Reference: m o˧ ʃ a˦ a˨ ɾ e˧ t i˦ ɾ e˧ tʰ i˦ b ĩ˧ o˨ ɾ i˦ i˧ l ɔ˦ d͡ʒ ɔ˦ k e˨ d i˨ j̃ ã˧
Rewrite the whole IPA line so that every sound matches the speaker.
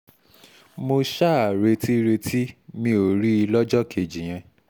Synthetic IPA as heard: m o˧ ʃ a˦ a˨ ɾ e˧ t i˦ ɾ e˧ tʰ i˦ m ĩ˧ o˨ ɾ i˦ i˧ l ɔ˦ d͡ʒ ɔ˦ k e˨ d͡ʒ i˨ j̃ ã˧